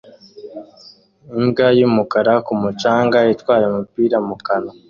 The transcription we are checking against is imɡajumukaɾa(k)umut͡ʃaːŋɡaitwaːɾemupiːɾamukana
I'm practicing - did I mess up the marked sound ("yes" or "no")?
no